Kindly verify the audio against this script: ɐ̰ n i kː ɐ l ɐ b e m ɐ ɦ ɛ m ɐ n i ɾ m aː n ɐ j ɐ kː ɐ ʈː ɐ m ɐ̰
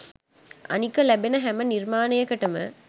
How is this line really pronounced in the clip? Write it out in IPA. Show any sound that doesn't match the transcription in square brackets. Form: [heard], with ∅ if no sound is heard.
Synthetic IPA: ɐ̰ n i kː ɐ l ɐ b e [n] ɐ ɦ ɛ m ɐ n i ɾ m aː n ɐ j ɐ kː ɐ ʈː ɐ m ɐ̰